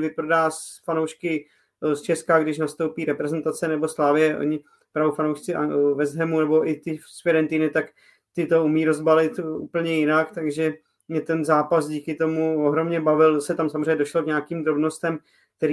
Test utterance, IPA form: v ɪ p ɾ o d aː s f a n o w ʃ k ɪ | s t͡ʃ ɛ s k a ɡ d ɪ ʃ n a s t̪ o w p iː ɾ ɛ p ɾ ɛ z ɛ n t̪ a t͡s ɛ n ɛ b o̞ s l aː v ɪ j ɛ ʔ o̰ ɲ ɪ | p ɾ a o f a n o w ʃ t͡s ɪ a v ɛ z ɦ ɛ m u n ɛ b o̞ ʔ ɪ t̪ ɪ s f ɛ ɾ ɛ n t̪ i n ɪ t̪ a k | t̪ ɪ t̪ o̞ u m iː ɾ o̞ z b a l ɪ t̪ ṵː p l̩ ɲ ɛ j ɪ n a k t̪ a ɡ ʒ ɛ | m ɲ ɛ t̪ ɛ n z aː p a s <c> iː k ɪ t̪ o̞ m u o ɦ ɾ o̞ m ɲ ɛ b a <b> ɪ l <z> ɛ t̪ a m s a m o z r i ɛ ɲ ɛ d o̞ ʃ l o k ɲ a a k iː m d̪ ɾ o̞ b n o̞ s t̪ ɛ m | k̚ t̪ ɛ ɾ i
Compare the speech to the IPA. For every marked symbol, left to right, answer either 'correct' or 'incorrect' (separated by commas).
incorrect, incorrect, incorrect